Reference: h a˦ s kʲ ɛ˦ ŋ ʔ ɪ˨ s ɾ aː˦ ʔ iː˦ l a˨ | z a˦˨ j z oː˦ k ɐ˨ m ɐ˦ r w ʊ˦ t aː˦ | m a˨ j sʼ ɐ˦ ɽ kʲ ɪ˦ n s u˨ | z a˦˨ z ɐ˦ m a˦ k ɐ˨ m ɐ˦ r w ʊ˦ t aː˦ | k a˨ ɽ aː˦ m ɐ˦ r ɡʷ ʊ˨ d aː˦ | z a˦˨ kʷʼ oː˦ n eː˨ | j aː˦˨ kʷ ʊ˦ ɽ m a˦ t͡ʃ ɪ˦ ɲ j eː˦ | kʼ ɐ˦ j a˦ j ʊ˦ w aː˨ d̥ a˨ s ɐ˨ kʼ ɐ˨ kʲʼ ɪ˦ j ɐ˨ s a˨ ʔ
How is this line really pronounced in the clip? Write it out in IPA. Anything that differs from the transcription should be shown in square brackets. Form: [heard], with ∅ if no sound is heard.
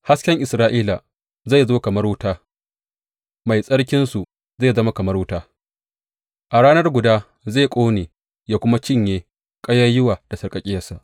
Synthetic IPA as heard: h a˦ s kʲ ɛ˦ ŋ ʔ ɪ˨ s ɾ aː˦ ʔ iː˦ l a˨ | z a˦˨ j z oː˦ k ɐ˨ m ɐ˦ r w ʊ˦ t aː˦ | m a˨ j sʼ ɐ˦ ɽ kʲ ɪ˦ n s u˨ | z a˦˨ z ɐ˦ m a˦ k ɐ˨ m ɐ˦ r w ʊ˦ t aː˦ | [ʔ] a˨ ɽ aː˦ [n] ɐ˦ r ɡʷ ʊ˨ d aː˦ | z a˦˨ kʷʼ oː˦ n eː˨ | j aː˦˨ kʷ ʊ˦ [∅] m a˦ t͡ʃ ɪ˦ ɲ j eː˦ | kʼ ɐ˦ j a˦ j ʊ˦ w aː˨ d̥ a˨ s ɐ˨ kʼ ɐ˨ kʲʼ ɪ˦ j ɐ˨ s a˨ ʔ